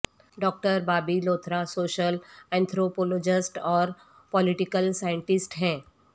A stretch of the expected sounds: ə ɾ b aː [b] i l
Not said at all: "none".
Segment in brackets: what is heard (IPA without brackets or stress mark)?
b